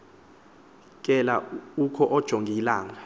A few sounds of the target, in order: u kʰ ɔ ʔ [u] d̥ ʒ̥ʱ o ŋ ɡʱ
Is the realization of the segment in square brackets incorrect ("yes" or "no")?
yes